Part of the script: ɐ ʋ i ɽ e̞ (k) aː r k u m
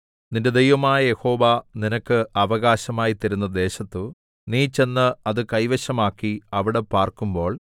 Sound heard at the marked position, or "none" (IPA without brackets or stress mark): p